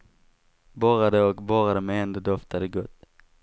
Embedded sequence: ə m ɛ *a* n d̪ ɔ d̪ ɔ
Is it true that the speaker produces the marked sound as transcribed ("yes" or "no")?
no